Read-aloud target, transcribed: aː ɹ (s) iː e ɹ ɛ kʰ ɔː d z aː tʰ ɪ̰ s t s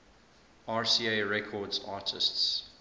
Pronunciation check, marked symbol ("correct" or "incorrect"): correct